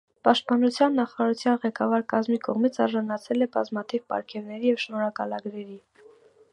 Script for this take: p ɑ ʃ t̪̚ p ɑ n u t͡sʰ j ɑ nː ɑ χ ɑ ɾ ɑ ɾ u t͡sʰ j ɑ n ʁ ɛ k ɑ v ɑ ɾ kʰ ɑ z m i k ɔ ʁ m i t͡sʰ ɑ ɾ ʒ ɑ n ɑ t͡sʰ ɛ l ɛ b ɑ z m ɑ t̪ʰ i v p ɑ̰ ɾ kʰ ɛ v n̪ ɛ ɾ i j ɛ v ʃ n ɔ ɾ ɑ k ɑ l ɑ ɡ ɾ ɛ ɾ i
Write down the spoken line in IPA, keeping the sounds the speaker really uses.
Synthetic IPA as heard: p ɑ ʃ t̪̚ p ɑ n u t͡sʰ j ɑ nː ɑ χ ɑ ɾ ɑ ɾ u t͡sʰ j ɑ n ʁ ɛ k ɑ v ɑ ɾ k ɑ z m i k ɔ ʁ m i t͡sʰ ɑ ɾ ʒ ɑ n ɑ t͡sʰ ɛ l ɛ b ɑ z m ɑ t̪ʰ i v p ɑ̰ ɾ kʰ ɛ v n̪ ɛ ɾ i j ɛ v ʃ n ɔ ɾ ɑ k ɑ l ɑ ɡ ɾ ɛ ɾ i